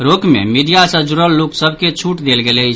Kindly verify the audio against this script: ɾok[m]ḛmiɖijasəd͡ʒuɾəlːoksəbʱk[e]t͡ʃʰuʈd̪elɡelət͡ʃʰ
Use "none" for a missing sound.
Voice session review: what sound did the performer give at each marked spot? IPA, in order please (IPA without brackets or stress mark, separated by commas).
m, e